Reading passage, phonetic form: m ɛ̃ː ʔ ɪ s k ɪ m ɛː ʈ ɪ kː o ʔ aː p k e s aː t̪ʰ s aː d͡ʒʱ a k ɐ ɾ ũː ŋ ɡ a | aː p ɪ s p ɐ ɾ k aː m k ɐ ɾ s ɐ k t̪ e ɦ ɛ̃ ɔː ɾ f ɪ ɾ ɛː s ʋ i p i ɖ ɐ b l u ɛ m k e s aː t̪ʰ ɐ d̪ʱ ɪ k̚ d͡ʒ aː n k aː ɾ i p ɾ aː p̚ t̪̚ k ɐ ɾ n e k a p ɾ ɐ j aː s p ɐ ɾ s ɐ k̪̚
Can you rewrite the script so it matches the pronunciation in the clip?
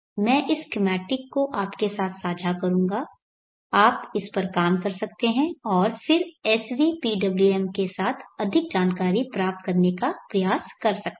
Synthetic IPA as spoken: m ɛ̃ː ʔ ɪ s k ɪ m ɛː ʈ ɪ kː o ʔ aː p k e s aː t̪ʰ s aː d͡ʒʱ a k ɐ ɾ ũː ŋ ɡ a | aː p ɪ s p ɐ ɾ k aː m k ɐ ɾ s ɐ k t̪ e ɦ ɛ̃ ɔː ɾ f ɪ ɾ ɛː s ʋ i p i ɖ ɐ b l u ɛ m k e s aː t̪ʰ ɐ d̪ʱ ɪ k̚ d͡ʒ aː n k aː ɾ i p ɾ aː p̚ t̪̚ k ɐ ɾ n e k a p ɾ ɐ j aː s k ɐ ɾ s ɐ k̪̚